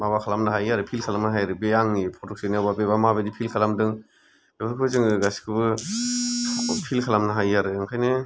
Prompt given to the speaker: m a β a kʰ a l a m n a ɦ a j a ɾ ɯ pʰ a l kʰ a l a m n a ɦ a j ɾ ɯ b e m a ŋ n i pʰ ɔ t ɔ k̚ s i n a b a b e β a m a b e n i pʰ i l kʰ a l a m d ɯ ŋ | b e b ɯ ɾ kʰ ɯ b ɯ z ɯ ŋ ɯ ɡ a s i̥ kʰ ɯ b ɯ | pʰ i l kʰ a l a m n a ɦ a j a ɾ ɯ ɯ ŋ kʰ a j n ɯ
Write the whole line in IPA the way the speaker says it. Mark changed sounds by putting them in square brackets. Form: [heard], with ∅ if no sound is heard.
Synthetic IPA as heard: m a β a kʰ a l a m n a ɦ a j a ɾ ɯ pʰ [i] l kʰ a l a m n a ɦ a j ɾ ɯ b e [∅] a ŋ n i pʰ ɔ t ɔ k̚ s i n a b a b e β a m a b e [d] i pʰ i l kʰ a l a m d ɯ ŋ | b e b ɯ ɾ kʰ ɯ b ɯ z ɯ ŋ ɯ ɡ a s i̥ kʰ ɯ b ɯ | pʰ i l kʰ a l a m n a ɦ a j a ɾ ɯ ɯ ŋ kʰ a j n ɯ